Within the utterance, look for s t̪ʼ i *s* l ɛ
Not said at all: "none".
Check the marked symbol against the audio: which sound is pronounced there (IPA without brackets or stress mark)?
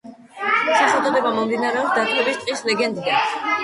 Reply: s